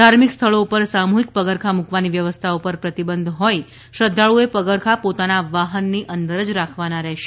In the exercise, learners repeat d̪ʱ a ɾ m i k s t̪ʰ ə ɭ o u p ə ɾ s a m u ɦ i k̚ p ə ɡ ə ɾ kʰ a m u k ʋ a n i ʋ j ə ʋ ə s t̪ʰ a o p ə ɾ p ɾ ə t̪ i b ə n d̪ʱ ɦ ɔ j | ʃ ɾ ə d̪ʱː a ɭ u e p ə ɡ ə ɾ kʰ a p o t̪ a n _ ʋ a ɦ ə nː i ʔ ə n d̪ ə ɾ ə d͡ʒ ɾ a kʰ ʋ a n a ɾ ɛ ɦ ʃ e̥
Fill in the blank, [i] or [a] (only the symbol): a